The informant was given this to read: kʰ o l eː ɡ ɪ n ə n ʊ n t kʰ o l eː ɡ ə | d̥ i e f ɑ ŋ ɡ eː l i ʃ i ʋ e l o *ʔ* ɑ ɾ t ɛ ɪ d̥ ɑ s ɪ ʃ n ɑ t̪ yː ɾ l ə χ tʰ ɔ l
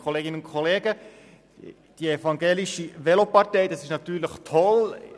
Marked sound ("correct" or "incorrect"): incorrect